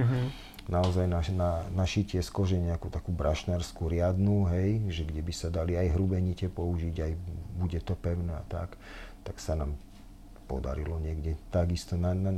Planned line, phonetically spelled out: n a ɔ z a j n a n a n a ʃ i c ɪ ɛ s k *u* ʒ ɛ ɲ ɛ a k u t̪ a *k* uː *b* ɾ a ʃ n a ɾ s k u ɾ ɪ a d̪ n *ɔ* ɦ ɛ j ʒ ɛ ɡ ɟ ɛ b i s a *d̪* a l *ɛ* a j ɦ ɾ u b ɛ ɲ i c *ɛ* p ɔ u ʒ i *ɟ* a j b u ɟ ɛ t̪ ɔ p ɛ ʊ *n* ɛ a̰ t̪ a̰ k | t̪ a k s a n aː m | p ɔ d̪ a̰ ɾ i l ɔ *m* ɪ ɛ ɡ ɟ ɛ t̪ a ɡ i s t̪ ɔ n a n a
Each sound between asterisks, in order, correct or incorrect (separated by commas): incorrect, correct, correct, incorrect, correct, incorrect, correct, correct, correct, incorrect